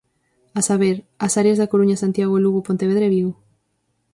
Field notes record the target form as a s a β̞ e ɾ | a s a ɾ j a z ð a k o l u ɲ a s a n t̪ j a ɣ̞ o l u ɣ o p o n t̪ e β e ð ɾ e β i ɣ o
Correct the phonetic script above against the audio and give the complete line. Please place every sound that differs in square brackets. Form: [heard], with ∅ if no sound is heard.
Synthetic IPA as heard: a s a β̞ e ɾ | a s a ɾ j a z ð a k o [ɾ] u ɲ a s a n t̪ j a ɣ̞ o l u ɣ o p o n t̪ e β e ð ɾ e β i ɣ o

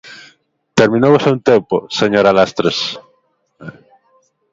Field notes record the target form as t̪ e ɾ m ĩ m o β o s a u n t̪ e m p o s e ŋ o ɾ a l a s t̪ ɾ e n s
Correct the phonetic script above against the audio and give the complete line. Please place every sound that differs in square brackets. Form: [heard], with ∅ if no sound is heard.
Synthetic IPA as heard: t̪ e ɾ m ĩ [n] o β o s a u n t̪ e m p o s e [ɲ] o ɾ a l a s t̪ ɾ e [∅] s

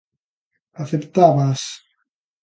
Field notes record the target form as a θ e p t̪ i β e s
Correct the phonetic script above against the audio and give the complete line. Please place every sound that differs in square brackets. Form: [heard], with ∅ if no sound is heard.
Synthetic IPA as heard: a θ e p t̪ [a] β [a] s

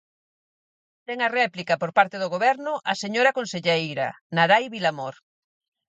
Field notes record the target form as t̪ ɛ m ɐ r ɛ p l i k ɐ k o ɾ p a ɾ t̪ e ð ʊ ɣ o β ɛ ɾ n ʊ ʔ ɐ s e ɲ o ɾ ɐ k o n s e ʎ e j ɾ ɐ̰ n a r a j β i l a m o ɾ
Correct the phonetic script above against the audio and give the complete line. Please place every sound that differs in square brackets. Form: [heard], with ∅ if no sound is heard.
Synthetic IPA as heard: t̪ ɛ [ŋ] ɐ r ɛ p l i k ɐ [p] o ɾ p a ɾ t̪ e ð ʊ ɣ o β ɛ ɾ n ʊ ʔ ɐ s e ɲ o ɾ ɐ k o n s e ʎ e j ɾ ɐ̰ n a [ɾ] a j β i l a m o ɾ

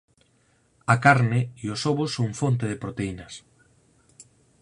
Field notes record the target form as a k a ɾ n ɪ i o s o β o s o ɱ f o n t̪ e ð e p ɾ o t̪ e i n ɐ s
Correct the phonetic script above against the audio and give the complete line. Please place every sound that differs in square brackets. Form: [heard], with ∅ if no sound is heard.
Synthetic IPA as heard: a k a ɾ n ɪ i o s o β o s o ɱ f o n t̪ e ð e p ɾ o t̪ e i n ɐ s

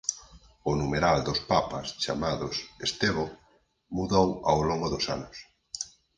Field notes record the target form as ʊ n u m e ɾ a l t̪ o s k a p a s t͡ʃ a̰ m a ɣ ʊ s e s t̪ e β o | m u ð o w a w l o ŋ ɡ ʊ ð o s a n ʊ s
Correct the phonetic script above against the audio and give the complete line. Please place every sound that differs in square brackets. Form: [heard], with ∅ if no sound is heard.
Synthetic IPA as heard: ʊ n u m e ɾ a l [d̪] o s [p] a p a s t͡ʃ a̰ m a [ð] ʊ s e s t̪ e β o | m u ð o w a w l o ŋ ɡ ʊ ð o s a n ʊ s

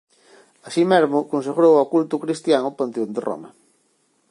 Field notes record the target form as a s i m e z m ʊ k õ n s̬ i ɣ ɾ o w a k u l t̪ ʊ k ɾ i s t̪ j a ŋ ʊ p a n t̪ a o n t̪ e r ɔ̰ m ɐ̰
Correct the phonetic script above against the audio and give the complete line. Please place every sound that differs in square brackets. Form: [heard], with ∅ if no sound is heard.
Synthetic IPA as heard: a s i m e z m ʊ k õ n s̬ [e] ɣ ɾ o w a k u l t̪ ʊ k ɾ i s t̪ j a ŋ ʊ p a n t̪ [e] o n [d̪] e r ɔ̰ m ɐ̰

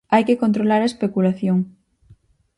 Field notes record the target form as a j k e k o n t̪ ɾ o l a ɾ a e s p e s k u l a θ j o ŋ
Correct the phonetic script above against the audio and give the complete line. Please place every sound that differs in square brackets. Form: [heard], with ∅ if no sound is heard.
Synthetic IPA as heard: a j k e k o n t̪ ɾ o l a ɾ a e s p e [∅] k u l a θ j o ŋ

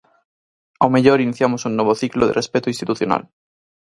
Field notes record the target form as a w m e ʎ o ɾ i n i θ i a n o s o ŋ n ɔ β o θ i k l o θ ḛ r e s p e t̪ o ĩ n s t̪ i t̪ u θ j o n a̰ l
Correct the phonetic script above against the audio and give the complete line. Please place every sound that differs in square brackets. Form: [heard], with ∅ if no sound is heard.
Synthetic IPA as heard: a w m e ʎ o ɾ i n i θ [j] a [m] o s [u] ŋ n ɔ β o θ i k l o [ð] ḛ r e s p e t̪ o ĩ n s t̪ i t̪ u θ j o n a̰ l

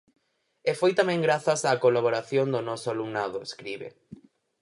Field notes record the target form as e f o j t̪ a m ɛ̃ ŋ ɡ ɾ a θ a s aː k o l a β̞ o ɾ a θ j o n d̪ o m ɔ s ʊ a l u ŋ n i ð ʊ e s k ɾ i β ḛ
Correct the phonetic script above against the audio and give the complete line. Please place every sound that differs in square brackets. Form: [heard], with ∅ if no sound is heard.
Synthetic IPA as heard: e f o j t̪ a m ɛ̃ ŋ ɡ ɾ a θ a s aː k o l a β̞ o ɾ a θ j o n d̪ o [n] ɔ s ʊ a l u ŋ n [a] ð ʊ e s k ɾ i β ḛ

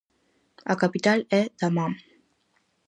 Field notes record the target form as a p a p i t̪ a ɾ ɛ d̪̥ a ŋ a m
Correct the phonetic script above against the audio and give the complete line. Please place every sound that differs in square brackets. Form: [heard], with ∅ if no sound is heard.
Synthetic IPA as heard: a [k] a p i t̪ a [l] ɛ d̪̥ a [m] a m

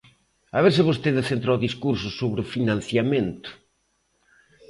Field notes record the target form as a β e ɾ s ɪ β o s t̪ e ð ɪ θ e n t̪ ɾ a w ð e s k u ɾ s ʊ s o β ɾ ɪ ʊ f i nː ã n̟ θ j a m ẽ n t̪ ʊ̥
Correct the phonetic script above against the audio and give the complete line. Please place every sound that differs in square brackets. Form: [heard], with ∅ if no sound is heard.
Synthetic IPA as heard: a β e ɾ s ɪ β o s t̪ e ð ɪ θ e n t̪ ɾ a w ð [i] s k u ɾ s ʊ s o β ɾ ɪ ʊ f i [n] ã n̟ θ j a m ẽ n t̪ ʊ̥

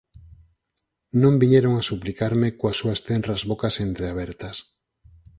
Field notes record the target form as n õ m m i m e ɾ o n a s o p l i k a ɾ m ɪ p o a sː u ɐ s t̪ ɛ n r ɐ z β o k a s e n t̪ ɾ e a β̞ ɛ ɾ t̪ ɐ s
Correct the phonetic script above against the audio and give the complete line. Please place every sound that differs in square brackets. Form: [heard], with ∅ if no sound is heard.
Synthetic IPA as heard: n õ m [b] i [ɲ] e ɾ o [ŋ] a s [u] p l i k a ɾ m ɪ [k] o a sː u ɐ s t̪ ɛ n r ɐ z β o k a s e n t̪ ɾ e a β̞ ɛ ɾ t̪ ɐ s

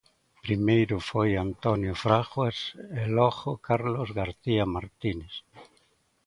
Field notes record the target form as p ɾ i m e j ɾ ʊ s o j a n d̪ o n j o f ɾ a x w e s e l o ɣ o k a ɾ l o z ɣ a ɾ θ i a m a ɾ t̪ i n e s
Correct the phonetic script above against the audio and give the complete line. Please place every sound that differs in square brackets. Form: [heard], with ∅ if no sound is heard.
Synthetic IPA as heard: p ɾ i m e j ɾ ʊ [f] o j a n [t̪] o n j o f ɾ a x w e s e l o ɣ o k a ɾ l o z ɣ a ɾ θ i a m a ɾ t̪ i n e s

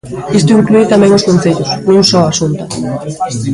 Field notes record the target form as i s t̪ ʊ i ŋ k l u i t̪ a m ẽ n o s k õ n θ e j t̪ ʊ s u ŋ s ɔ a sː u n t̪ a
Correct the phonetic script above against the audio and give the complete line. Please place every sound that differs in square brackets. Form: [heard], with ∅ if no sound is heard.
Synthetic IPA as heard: i s t̪ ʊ i ŋ k l u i t̪ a m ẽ [ŋ] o s k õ n θ e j t̪ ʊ s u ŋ s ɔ a [s] u n t̪ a

